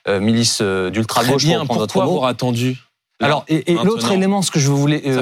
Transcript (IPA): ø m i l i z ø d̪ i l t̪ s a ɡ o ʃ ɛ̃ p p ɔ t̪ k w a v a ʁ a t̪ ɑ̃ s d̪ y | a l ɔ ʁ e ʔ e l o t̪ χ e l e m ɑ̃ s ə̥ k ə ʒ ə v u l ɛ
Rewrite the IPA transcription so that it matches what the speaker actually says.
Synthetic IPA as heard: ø m i l i s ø d̪ y l t̪ χ a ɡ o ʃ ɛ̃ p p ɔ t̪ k w a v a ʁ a t̪ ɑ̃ d̪ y | a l ɔ ʁ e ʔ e l o t̪ χ e l e m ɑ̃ s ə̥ k ə ʒ ə v u l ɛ